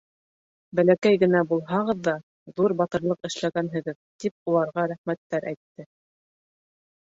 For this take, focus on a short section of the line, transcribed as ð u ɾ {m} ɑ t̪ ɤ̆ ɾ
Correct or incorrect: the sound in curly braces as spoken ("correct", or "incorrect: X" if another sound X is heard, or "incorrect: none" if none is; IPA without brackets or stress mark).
incorrect: b